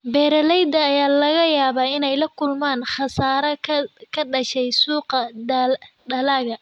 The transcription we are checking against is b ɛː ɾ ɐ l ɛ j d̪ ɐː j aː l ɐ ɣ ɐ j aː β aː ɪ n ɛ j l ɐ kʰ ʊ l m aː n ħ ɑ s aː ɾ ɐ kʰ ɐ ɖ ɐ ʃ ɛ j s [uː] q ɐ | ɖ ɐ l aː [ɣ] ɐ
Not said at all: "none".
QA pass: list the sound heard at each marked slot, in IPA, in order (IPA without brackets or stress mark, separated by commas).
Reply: uː, ɣ